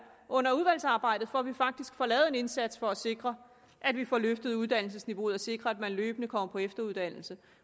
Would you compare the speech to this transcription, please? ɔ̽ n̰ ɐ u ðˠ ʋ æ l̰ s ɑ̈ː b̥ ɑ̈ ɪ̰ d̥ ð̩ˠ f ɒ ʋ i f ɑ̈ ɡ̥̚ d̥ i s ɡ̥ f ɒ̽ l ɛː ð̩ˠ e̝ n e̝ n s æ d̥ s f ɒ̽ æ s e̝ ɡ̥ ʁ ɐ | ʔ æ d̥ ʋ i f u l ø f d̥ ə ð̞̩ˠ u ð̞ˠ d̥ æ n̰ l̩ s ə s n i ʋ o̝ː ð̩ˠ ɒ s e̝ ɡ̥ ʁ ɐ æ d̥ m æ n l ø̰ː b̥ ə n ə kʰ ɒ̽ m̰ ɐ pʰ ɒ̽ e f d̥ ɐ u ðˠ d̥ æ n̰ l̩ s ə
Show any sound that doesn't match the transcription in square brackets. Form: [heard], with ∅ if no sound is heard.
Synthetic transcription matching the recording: ɔ̽ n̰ ɐ u ðˠ ʋ æ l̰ s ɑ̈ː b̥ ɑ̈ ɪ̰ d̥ ð̩ˠ f ɒ ʋ i f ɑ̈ ɡ̥̚ d̥ i s ɡ̥ f ɒ̽ l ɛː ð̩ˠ e̝ n e̝ n s æ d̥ s f ɒ̽ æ s e̝ ɡ̥ ʁ ɐ | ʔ æ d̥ ʋ i f [ɒ] l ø f d̥ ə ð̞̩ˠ u ð̞ˠ d̥ æ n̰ l̩ s ə s n i ʋ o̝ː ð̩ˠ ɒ s e̝ ɡ̥ ʁ ɐ æ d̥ m æ n l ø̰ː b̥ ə n ə kʰ ɒ̽ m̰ ɐ pʰ ɒ̽ e f d̥ ɐ u ðˠ d̥ æ n̰ l̩ s ə

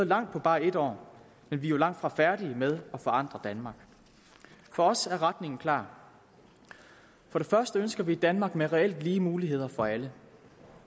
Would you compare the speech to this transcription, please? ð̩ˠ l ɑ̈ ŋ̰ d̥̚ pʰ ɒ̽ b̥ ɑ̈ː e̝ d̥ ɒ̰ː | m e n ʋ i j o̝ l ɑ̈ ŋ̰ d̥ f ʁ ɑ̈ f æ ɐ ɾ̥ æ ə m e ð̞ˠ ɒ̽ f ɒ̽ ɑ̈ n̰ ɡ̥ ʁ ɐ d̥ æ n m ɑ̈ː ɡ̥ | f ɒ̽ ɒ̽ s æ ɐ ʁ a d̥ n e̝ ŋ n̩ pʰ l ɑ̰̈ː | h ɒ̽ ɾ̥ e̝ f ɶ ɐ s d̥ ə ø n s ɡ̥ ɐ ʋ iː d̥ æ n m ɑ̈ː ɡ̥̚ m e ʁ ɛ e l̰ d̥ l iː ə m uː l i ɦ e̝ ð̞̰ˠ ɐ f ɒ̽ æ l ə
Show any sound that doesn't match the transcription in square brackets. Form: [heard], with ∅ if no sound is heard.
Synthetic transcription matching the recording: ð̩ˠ l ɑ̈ ŋ̰ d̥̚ pʰ ɒ̽ b̥ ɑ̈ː e̝ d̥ ɒ̰ː | m e n ʋ i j o̝ l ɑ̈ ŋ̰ d̥ f ʁ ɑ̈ f æ ɐ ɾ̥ [i] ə m e ð̞ˠ ɒ̽ f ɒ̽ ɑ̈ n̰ [d̥] ʁ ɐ d̥ æ n m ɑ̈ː ɡ̥ | f ɒ̽ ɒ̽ s æ ɐ ʁ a d̥ n e̝ ŋ n̩ [kʰ] l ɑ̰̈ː | [f] ɒ̽ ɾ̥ e̝ f ɶ ɐ s d̥ ə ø n s ɡ̥ ɐ ʋ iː d̥ æ n m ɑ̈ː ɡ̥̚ m e ʁ ɛ e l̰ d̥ l iː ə m uː l i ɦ e̝ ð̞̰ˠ ɐ f ɒ̽ æ l ə

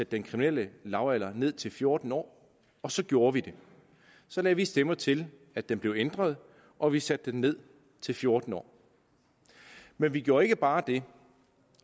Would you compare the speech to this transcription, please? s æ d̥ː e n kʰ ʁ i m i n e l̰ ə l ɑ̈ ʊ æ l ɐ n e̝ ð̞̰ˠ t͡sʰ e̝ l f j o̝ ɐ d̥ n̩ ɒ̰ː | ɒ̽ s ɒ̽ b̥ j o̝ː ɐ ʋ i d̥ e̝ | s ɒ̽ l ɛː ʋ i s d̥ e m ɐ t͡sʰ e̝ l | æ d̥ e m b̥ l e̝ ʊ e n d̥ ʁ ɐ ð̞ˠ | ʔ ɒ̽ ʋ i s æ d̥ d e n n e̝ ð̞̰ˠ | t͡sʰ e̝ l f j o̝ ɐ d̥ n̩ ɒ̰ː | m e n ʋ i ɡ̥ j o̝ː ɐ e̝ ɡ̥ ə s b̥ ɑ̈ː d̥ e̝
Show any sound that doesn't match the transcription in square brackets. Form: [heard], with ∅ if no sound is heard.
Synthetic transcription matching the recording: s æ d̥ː e n kʰ ʁ i m i n e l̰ ə l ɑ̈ ʊ æ l ɐ n e̝ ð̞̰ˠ t͡sʰ e̝ l f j o̝ ɐ d̥ n̩ ɒ̰ː | ɒ̽ s ɒ̽ [ɡ̥] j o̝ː ɐ ʋ i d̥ e̝ | s ɒ̽ l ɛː ʋ i s d̥ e m ɐ t͡sʰ e̝ l | æ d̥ e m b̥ l e̝ ʊ e n d̥ ʁ ɐ ð̞ˠ | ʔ ɒ̽ ʋ i s æ d̥ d e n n e̝ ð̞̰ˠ | t͡sʰ e̝ l f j o̝ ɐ d̥ n̩ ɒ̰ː | m e n ʋ i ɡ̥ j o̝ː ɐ e̝ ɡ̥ ə [∅] b̥ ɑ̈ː d̥ e̝

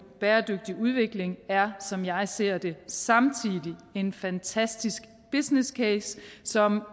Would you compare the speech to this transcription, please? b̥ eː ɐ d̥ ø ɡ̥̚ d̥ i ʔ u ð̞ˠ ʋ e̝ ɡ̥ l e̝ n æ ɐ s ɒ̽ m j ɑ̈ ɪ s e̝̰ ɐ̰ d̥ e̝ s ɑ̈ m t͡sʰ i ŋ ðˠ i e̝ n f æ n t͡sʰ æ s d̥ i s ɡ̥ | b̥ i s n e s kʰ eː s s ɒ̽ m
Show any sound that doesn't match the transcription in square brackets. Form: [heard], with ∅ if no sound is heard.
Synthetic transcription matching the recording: b̥ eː ɐ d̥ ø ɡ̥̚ d̥ i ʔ u ð̞ˠ ʋ e̝ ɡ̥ l e̝ [ŋ] æ ɐ s ɒ̽ m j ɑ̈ ɪ s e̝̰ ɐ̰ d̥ e̝ s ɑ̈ m t͡sʰ i [∅] ðˠ i e̝ n f æ n t͡sʰ æ s d̥ i s ɡ̥ | b̥ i s n e s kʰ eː s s ɒ̽ m

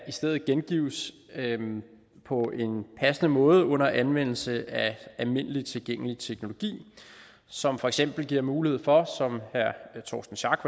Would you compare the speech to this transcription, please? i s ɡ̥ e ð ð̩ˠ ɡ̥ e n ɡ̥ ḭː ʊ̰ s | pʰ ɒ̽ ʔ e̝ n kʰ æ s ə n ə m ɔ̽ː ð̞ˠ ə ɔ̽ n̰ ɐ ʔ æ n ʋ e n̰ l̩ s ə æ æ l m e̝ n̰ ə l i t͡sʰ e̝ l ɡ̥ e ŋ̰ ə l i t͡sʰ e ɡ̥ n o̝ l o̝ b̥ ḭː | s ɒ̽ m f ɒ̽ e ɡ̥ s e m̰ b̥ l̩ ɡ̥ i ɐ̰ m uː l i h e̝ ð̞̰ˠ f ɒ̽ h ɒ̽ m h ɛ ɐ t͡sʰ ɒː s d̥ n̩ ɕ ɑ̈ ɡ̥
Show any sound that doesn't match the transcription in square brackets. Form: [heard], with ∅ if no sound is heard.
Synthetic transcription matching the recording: i s [d̥] e ð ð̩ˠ ɡ̥ e n ɡ̥ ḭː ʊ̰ s | pʰ ɒ̽ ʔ e̝ n [pʰ] æ s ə n ə m ɔ̽ː ð̞ˠ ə ɔ̽ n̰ ɐ ʔ æ n ʋ e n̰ l̩ s ə æ æ l m e̝ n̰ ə l i t͡sʰ e̝ l ɡ̥ e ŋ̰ ə l i t͡sʰ e ɡ̥ n o̝ l o̝ [ɡ̥] ḭː | s ɒ̽ m f ɒ̽ e ɡ̥ s e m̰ b̥ l̩ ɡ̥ i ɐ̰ m uː l i h e̝ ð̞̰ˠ f ɒ̽ [s] ɒ̽ m h [æ] ɐ t͡sʰ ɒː s d̥ n̩ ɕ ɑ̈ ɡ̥

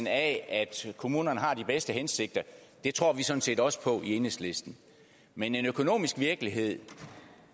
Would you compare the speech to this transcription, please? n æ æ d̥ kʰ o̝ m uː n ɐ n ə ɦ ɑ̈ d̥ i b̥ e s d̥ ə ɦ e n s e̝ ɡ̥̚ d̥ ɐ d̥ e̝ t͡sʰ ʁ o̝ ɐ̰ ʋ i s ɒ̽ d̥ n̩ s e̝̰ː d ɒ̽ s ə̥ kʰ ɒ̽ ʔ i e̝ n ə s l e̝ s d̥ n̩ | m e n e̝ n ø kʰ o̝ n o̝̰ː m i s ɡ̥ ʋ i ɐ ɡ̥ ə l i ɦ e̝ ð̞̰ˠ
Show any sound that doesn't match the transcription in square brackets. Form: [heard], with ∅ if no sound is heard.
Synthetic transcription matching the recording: n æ æ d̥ kʰ o̝ m uː n ɐ n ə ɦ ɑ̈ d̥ i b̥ e s d̥ ə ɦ e n s e̝ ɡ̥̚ d̥ ɐ d̥ e̝ t͡sʰ ʁ o̝ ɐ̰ ʋ i s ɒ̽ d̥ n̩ s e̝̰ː d ɒ̽ s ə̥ [pʰ] ɒ̽ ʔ i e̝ n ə s l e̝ s d̥ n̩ | m e n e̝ n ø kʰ o̝ n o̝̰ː m i s ɡ̥ ʋ i ɐ ɡ̥ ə l i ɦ e̝ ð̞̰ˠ

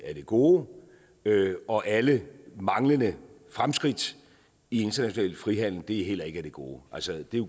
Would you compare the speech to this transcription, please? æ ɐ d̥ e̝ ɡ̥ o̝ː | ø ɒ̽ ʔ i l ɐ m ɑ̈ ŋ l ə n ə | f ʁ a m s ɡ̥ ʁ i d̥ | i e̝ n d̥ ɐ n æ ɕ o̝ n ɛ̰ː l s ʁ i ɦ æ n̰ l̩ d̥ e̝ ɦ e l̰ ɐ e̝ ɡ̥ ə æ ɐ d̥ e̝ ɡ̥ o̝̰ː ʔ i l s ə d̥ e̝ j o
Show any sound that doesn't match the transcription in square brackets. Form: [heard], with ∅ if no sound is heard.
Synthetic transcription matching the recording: æ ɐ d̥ e̝ ɡ̥ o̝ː | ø ɒ̽ ʔ [æ] l [ə] m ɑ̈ ŋ l ə n ə | f ʁ a m s ɡ̥ ʁ i d̥ | i e̝ n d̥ ɐ n æ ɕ o̝ n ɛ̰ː l [f] ʁ i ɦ æ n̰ l̩ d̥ e̝ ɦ e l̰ ɐ e̝ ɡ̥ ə æ ɐ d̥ e̝ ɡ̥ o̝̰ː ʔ [æ] l s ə d̥ e̝ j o

